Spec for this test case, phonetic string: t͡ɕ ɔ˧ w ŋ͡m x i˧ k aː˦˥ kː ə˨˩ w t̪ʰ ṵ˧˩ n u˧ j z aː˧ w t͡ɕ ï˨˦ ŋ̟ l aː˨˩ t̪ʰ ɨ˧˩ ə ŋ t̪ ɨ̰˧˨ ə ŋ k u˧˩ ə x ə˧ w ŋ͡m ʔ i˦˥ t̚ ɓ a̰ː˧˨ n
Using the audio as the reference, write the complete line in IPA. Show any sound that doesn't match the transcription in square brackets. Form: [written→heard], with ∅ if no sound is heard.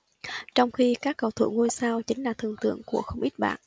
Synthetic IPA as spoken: t͡ɕ ɔ˧ w ŋ͡m x i˧ k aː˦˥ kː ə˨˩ w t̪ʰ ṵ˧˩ [n→ŋ] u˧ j [z→s] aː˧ w t͡ɕ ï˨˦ ŋ̟ l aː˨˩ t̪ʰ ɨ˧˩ ə ŋ t̪ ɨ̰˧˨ ə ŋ k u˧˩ ə x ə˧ w ŋ͡m ʔ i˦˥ t̚ ɓ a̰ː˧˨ n